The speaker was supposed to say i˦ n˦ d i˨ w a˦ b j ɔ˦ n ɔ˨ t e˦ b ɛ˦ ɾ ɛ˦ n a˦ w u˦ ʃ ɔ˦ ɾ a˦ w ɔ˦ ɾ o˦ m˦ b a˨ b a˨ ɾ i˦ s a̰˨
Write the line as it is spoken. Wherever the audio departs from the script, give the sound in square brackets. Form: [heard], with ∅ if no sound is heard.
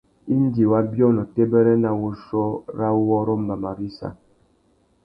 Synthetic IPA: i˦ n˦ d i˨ w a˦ b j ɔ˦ n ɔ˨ t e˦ b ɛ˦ ɾ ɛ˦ n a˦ w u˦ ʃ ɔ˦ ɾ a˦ w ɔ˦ ɾ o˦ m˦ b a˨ [m] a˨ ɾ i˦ s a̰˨